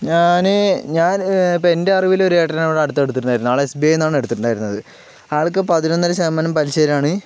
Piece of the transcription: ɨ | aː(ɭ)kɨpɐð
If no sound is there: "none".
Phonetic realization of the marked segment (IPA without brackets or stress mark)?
ɭ